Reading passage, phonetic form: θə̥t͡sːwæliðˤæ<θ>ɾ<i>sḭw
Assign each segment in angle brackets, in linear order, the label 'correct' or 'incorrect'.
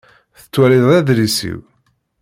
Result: incorrect: ð, correct

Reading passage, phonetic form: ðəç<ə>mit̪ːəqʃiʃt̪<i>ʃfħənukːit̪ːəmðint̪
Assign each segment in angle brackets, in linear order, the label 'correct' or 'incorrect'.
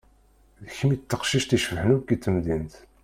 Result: correct, correct

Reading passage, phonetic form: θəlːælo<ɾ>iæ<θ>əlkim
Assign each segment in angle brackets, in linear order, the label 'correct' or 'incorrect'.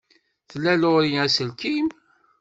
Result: correct, incorrect: s

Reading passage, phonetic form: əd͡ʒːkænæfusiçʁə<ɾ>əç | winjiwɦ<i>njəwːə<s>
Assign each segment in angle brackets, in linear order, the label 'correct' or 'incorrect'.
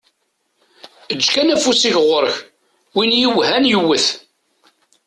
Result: correct, incorrect: æ, incorrect: θ

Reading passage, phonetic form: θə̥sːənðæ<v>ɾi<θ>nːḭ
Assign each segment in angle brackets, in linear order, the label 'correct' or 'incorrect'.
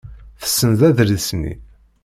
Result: incorrect: ð, incorrect: s

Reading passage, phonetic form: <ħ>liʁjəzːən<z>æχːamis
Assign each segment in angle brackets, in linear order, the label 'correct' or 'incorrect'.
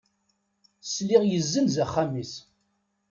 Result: incorrect: s, correct

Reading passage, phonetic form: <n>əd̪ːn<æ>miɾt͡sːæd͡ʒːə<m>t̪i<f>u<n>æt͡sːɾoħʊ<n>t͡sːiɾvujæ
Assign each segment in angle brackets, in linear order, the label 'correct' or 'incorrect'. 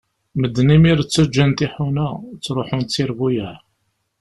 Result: incorrect: m, incorrect: i, incorrect: n, incorrect: ħ, correct, correct

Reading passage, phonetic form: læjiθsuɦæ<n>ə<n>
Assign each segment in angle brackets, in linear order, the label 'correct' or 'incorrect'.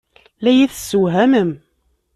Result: incorrect: m, incorrect: m

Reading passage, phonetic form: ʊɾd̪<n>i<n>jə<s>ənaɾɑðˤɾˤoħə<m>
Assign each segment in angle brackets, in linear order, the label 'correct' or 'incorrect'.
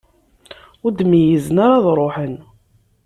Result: incorrect: m, incorrect: none, incorrect: z, incorrect: n

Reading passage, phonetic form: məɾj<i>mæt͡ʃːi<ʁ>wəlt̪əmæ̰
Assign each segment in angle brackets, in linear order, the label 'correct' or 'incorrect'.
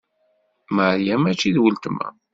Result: incorrect: æ, incorrect: ð

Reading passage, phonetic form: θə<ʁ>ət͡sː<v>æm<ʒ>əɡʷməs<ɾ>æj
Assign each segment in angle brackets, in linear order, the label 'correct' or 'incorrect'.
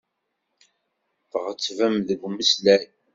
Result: correct, correct, incorrect: ð, incorrect: l

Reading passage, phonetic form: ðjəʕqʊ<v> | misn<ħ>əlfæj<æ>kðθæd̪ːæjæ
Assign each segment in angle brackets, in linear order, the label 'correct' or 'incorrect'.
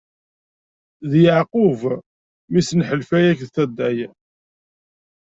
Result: correct, correct, correct

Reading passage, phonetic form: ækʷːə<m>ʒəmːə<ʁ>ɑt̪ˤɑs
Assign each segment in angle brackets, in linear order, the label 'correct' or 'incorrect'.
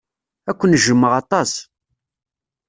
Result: incorrect: n, correct

